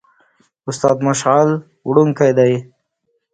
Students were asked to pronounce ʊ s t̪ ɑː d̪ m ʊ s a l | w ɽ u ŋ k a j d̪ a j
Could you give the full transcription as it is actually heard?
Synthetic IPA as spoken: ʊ s t̪ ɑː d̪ m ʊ ʃ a l | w ɽ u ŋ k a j d̪ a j